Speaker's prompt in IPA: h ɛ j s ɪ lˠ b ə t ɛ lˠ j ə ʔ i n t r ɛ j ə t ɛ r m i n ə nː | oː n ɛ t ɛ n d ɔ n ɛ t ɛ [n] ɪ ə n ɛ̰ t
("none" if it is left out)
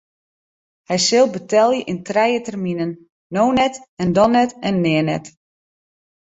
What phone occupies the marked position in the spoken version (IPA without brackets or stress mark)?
nː